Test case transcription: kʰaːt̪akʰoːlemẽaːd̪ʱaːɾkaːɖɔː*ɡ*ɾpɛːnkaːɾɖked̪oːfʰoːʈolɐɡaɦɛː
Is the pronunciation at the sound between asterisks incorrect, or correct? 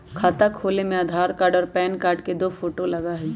incorrect: none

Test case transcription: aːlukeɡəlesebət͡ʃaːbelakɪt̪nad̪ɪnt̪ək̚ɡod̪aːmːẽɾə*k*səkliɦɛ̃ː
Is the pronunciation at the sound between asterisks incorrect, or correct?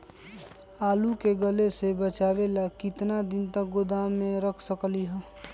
incorrect: kʰ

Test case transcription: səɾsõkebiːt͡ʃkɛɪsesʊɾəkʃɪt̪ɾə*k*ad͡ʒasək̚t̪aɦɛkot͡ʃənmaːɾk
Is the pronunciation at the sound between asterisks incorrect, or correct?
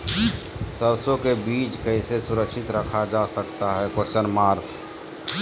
incorrect: kʰ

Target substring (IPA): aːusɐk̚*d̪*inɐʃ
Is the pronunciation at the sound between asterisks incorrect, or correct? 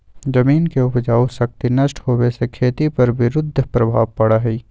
incorrect: t̪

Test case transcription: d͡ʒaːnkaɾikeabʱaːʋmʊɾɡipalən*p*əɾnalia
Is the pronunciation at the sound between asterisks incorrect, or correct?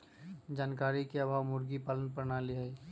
correct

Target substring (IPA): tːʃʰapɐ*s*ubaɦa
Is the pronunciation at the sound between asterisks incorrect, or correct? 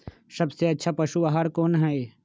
incorrect: ʃ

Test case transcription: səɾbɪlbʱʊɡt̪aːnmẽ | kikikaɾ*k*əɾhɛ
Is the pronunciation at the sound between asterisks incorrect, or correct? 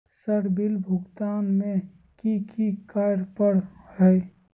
incorrect: p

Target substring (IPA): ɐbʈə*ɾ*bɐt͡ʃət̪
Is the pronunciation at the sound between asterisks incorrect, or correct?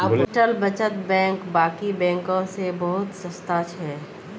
incorrect: l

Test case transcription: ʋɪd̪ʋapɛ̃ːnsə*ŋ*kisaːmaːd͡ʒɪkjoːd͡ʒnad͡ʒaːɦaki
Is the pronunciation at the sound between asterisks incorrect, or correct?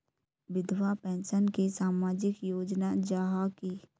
incorrect: n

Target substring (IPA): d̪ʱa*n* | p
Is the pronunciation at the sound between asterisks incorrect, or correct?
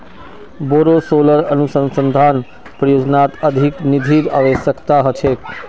correct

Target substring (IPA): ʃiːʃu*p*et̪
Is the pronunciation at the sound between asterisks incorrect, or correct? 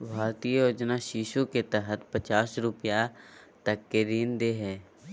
incorrect: k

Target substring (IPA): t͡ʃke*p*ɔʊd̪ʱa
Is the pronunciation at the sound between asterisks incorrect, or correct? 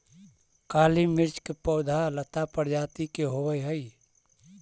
correct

